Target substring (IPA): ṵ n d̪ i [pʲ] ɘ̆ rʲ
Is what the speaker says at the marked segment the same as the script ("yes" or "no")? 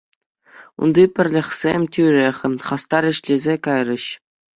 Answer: yes